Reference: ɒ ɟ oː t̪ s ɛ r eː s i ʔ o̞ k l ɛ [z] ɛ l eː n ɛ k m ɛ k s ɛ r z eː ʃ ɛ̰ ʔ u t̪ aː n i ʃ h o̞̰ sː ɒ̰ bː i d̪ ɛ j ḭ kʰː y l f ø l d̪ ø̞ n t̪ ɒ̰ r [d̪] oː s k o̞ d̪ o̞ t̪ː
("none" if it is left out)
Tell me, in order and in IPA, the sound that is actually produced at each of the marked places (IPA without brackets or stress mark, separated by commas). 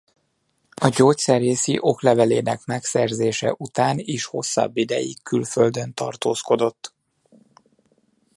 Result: v, t̪